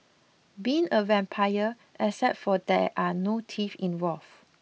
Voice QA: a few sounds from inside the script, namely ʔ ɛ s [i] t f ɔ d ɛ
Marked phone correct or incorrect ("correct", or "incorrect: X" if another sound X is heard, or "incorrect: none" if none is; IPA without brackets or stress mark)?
incorrect: ɛ